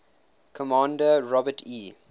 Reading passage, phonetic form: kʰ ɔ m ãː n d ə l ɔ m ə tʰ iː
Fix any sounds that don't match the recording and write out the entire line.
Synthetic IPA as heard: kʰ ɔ m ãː n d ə ɹ ɔ b ə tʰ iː

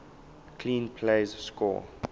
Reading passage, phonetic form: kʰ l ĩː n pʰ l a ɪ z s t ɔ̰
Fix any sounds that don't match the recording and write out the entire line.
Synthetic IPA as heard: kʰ l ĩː n pʰ l e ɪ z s k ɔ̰

